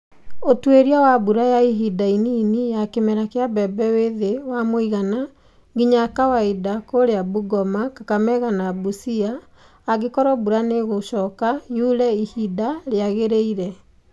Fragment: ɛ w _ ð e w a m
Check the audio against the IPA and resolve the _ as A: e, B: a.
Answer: A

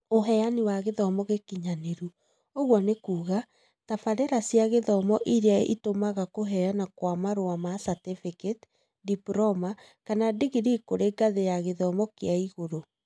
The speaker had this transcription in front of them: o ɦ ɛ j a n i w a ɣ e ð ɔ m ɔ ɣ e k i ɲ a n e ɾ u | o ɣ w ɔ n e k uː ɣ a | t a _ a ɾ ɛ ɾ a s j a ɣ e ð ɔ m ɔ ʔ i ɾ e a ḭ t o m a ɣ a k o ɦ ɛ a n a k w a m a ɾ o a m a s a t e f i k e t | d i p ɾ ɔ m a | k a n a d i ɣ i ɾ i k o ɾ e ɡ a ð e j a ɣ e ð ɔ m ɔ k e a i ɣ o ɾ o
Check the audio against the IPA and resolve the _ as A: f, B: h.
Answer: A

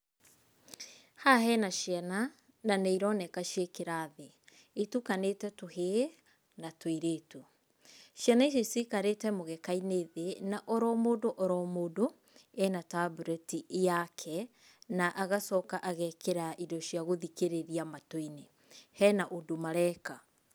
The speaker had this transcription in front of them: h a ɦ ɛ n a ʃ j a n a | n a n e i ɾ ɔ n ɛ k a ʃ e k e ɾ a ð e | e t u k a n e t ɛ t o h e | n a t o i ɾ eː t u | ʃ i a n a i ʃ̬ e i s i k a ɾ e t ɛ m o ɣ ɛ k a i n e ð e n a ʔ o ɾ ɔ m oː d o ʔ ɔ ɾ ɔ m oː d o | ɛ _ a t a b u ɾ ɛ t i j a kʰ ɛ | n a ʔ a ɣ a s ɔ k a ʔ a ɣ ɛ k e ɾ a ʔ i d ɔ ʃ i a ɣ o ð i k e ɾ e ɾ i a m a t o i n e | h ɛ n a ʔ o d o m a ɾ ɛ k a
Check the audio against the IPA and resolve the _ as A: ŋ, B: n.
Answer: B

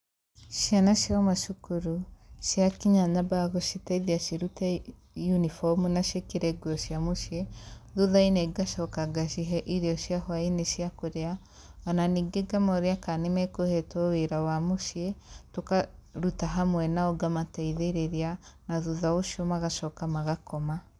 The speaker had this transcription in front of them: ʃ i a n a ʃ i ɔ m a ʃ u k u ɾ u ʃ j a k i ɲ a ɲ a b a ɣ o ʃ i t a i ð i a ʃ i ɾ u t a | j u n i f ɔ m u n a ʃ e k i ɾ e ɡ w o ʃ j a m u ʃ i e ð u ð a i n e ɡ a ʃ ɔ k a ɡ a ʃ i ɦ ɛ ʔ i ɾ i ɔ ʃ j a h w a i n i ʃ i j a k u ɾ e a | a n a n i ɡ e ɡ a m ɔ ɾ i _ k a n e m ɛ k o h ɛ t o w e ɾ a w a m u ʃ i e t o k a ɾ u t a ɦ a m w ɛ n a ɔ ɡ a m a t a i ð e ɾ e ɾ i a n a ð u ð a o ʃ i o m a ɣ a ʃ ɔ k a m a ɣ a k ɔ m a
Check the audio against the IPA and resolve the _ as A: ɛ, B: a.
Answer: B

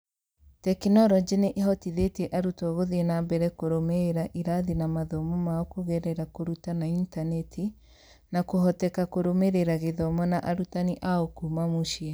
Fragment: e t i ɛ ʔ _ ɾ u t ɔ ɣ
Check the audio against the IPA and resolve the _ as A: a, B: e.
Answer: A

